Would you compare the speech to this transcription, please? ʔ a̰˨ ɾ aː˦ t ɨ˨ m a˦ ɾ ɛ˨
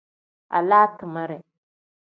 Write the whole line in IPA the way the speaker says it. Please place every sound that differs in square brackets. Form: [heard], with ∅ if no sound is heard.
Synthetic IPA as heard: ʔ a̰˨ [l] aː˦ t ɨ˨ m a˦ ɾ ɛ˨